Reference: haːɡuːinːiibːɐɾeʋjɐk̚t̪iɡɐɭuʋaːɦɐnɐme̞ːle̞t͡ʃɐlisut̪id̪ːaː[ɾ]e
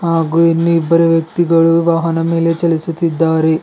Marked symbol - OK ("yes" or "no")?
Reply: yes